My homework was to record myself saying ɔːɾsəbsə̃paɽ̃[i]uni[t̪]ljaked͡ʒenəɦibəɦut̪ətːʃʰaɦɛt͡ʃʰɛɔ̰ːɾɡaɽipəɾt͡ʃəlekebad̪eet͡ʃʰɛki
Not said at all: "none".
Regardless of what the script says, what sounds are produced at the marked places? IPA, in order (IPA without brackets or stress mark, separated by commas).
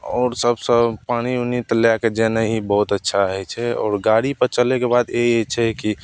i, t̪